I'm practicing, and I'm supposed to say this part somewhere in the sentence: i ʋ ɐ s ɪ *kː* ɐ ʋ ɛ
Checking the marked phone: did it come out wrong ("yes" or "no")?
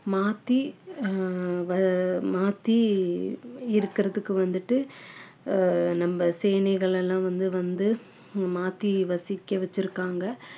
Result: no